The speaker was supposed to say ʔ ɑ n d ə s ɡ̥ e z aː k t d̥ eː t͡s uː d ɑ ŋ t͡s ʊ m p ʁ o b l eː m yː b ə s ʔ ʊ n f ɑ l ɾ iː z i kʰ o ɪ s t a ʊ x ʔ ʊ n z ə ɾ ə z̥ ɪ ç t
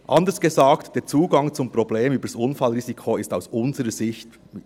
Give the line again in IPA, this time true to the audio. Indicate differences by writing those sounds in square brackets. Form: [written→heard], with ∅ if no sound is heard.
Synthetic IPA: ʔ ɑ n d ə s ɡ̥ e z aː k t d̥ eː t͡s uː [d→ɡ] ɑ ŋ t͡s ʊ m p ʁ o b l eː m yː b ə s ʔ ʊ n f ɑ l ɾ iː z i kʰ o ɪ s t a ʊ [x→s] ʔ ʊ n z ə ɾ ə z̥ ɪ ç t